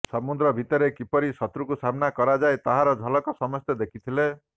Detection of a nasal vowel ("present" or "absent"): absent